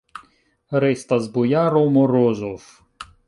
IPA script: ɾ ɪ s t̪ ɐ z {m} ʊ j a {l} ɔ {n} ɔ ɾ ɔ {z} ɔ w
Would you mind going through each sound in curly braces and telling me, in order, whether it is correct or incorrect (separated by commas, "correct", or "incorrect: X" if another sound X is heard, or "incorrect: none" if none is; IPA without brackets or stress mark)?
incorrect: b, incorrect: ɾ, incorrect: m, correct